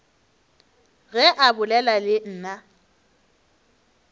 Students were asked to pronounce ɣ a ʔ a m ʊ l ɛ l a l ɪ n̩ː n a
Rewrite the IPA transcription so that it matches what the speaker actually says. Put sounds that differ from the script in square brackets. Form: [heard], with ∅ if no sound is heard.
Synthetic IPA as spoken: ɣ [ɛ] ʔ a [b] ʊ l ɛ l a l ɪ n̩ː n a